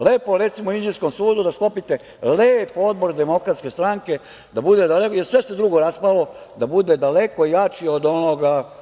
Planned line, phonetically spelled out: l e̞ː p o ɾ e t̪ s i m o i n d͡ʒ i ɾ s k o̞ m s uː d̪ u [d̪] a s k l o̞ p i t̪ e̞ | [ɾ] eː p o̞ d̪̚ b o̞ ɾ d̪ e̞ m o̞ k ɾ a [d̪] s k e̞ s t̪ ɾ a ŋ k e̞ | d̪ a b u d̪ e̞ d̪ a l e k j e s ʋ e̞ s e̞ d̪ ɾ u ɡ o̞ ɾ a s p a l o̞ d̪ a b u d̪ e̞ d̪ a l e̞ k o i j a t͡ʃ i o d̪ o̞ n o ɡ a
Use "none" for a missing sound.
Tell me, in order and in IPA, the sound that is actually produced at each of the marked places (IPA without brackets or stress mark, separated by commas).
d̪, l, t̪